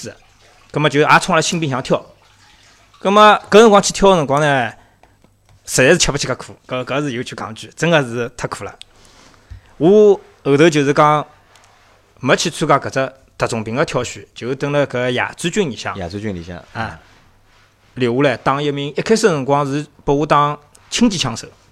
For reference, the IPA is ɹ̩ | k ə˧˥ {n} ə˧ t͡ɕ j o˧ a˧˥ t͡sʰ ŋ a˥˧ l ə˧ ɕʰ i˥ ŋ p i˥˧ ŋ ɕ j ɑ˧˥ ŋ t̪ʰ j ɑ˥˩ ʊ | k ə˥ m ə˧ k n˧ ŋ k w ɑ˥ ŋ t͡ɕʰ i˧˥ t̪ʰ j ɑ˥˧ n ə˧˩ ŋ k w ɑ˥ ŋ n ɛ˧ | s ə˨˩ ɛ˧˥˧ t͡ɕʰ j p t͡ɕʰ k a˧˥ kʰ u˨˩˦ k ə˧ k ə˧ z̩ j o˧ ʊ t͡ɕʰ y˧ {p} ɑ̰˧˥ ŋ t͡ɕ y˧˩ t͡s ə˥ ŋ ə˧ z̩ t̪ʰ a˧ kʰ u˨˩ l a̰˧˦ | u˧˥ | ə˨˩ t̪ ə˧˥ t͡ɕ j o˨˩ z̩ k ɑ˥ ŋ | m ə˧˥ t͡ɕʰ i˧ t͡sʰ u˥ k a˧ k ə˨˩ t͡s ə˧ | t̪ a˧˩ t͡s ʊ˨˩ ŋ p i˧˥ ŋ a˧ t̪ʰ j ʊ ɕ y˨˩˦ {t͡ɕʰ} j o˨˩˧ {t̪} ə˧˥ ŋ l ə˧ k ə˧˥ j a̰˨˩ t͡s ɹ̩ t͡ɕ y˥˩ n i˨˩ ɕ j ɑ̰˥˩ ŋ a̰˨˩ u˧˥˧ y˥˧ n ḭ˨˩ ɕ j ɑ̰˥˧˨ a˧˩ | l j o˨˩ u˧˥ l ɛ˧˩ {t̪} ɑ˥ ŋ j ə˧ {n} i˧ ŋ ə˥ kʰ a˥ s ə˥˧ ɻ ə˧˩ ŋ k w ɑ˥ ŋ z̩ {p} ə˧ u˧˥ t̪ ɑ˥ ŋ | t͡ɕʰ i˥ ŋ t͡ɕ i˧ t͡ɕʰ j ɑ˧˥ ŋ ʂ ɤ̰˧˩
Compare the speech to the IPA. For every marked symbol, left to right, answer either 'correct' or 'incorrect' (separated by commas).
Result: incorrect, incorrect, incorrect, correct, correct, incorrect, correct